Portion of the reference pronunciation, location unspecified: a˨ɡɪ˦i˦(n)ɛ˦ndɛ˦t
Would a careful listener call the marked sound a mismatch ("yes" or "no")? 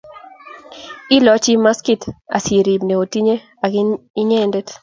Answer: yes